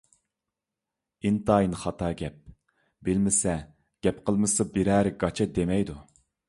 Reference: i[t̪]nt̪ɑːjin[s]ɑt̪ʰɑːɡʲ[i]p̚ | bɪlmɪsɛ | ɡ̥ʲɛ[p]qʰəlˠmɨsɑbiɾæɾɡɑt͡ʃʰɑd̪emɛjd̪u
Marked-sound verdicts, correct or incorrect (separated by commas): incorrect, incorrect, incorrect, correct